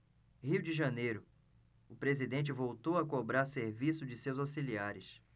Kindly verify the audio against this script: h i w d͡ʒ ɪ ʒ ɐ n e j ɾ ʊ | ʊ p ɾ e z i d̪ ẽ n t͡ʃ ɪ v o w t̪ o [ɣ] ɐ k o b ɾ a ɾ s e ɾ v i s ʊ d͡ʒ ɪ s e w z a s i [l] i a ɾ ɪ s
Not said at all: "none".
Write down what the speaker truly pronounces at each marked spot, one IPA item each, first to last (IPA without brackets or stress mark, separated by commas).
w, l